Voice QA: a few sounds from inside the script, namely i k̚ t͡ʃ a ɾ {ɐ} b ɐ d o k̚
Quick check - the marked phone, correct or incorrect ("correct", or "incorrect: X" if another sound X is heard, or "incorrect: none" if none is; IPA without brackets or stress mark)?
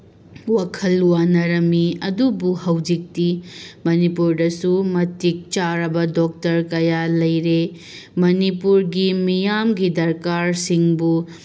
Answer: correct